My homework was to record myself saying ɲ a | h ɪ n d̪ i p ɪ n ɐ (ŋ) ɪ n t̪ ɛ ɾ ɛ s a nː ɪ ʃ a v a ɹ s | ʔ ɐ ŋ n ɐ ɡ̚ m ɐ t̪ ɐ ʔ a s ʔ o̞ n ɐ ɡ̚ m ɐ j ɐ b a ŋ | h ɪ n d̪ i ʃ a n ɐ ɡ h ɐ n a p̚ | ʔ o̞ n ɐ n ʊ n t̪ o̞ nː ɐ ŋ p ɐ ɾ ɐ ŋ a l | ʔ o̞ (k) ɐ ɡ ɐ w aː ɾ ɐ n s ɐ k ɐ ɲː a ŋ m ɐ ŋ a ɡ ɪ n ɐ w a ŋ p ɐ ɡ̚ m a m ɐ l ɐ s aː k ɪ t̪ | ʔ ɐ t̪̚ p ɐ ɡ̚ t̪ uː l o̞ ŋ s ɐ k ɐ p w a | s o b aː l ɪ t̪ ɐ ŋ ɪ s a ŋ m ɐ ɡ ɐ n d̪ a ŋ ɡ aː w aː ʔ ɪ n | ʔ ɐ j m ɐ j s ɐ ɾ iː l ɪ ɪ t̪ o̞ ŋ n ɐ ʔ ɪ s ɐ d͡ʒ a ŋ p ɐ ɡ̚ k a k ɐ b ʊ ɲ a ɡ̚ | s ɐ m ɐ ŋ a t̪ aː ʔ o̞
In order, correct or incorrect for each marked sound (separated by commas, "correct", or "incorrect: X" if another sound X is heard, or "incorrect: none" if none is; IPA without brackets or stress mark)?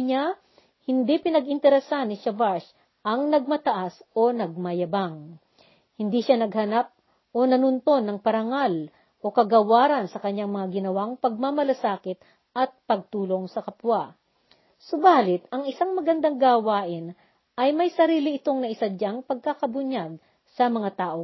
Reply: incorrect: ɡ, correct